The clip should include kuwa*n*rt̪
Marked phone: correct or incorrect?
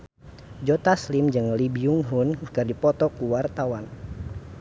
incorrect